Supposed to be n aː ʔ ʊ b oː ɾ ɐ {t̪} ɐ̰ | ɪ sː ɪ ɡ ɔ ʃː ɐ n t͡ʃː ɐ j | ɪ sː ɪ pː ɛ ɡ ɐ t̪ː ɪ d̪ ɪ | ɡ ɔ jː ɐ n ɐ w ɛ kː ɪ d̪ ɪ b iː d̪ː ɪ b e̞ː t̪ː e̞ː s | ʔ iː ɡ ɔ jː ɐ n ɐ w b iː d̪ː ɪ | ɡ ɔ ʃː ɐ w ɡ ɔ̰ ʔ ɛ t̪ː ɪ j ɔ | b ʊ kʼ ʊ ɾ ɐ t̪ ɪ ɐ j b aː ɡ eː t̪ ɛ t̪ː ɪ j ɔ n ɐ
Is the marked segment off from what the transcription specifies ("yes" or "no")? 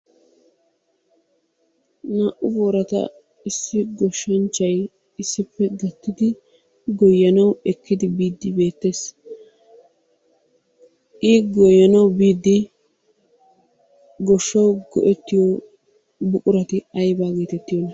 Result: no